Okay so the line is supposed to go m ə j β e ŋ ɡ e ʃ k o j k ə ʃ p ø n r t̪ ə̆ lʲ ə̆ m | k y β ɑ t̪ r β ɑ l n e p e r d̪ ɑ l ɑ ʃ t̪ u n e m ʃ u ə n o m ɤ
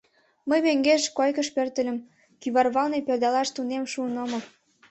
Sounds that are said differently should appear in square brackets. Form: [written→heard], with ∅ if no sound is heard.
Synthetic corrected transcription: m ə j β e ŋ ɡ e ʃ k o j k ə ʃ p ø [n→∅] r t̪ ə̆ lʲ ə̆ m | k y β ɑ [t̪→∅] r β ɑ l n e p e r d̪ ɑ l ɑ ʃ t̪ u n e m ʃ u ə n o m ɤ

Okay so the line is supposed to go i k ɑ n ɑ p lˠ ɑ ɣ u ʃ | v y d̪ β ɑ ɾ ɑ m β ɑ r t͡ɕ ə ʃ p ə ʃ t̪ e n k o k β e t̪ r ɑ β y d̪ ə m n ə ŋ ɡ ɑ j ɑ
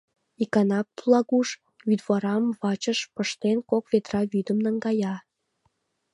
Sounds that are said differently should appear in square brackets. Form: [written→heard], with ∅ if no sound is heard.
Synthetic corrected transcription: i k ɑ n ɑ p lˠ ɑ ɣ u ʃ | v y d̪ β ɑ ɾ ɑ m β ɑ [r→∅] t͡ɕ ə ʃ p ə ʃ t̪ e n k o k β e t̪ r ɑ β y d̪ ə m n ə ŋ ɡ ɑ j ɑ

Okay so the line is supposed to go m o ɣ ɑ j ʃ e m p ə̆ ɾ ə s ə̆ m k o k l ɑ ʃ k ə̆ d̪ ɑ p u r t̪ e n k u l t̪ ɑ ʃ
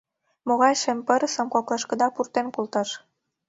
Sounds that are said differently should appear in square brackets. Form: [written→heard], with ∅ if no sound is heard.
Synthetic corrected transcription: m o ɣ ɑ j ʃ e m p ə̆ ɾ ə s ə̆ m k o k l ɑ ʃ k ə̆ d̪ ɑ p u r t̪ e n k u l t̪ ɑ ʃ

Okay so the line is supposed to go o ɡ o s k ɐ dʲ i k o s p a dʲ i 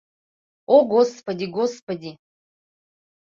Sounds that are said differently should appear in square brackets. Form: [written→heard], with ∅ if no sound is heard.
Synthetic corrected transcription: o ɡ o s [k→p] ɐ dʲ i [k→ɡ] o s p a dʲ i

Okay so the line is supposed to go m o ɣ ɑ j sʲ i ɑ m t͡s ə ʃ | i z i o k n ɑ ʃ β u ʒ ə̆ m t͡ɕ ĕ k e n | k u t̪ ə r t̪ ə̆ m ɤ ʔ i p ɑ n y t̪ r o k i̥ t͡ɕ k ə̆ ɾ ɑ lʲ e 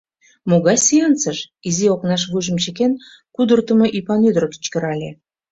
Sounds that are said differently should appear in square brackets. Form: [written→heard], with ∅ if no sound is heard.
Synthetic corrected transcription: m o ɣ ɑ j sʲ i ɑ [m→n] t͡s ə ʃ | i z i o k n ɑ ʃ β u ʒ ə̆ m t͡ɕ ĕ k e n | k u [t̪→d̪] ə r t̪ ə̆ m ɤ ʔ i p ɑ n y [t̪→d̪] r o k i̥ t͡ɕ k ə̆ ɾ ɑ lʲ e

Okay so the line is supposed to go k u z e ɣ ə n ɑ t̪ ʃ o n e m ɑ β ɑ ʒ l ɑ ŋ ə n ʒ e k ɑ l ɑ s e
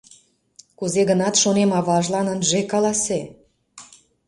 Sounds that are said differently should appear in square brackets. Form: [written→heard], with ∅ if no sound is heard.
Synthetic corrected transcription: k u z e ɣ ə n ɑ t̪ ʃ o n e m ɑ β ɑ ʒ l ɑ [ŋ→n] ə n ʒ e k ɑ l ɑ s e

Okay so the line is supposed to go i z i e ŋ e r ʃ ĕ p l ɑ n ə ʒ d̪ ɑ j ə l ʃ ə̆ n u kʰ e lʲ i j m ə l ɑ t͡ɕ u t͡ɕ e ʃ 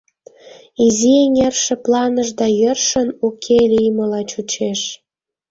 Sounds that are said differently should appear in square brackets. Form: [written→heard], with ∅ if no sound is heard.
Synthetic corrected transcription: i z i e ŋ e r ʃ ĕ p l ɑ n ə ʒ d̪ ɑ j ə [l→r] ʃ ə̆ n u kʰ e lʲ i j m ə l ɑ t͡ɕ u t͡ɕ e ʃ

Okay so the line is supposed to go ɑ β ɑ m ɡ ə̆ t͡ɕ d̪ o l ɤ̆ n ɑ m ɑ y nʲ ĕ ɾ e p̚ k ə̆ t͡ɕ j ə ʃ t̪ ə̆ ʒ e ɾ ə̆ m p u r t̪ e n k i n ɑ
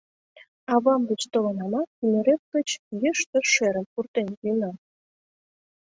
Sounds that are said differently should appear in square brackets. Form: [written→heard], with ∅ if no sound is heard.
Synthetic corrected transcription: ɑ β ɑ m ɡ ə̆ t͡ɕ [d̪→t̪] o l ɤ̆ n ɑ m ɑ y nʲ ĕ ɾ e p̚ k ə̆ t͡ɕ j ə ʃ t̪ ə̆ [ʒ→ʃ] e ɾ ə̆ m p u r t̪ e n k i n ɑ

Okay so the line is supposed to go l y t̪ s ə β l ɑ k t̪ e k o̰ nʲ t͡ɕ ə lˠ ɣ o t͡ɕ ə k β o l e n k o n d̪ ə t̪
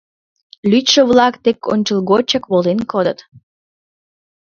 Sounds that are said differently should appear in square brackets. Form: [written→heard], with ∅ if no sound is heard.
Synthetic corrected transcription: l y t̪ [s→ʃ] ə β l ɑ k t̪ e k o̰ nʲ t͡ɕ ə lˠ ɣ o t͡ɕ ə k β o l e n k o [n→∅] d̪ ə t̪

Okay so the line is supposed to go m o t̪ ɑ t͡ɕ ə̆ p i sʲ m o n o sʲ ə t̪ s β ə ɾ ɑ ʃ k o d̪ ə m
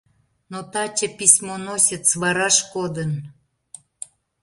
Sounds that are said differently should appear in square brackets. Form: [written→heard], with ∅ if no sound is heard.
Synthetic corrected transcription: [m→n] o t̪ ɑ t͡ɕ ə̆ p i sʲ m o n o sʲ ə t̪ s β [ə→ɑ] ɾ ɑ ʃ k o d̪ ə [m→n]

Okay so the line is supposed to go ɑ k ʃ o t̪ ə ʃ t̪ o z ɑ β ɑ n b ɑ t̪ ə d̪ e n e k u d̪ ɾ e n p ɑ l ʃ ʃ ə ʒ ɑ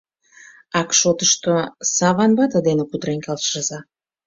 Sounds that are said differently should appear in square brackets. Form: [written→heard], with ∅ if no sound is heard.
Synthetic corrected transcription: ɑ k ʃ o t̪ ə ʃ t̪ o [z→s] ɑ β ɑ n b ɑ t̪ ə d̪ e n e k u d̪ ɾ e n [p→k] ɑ l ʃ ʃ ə [ʒ→z] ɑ

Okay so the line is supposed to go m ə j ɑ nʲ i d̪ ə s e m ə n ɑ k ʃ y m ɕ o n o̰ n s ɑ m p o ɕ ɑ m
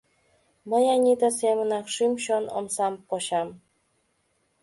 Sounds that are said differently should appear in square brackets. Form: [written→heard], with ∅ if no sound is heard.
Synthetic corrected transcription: m ə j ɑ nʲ i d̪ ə s e m ə n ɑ k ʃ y m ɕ o n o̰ [n→m] s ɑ m p o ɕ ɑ m

